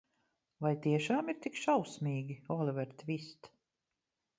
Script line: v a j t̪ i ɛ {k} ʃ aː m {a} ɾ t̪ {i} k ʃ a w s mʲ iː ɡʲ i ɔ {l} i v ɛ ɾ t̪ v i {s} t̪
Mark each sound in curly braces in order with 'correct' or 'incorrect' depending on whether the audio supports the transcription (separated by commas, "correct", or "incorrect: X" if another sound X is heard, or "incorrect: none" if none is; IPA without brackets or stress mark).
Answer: incorrect: none, incorrect: i, correct, correct, correct